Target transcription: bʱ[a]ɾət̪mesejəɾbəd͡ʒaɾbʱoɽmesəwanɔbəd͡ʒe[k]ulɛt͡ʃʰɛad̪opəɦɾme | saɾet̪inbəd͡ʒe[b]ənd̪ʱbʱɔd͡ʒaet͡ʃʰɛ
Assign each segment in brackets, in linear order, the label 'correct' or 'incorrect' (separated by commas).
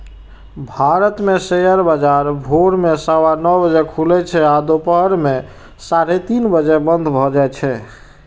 correct, incorrect, correct